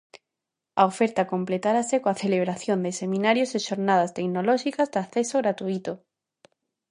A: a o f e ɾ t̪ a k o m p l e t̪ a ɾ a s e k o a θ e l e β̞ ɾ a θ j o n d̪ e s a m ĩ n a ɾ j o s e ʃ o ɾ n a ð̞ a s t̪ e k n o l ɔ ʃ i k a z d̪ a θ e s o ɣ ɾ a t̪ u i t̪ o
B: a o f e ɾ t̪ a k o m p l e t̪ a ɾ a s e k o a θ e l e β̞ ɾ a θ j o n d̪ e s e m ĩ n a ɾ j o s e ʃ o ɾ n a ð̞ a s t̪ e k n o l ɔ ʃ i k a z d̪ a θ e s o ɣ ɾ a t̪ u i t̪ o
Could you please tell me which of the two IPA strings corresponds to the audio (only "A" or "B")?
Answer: B